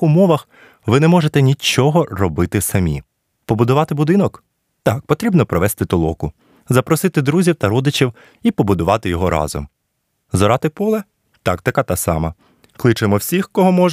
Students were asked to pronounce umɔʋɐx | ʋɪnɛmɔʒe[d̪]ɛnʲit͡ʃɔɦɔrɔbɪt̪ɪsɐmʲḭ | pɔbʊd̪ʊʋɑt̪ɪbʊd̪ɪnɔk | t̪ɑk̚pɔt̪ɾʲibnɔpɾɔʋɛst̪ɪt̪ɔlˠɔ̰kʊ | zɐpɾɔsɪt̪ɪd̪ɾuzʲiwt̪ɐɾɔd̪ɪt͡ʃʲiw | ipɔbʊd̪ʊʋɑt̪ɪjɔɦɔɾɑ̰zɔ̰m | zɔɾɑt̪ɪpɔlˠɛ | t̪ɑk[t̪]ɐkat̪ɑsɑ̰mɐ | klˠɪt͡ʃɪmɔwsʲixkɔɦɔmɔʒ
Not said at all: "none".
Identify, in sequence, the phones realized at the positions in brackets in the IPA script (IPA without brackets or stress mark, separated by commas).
t̪, t̪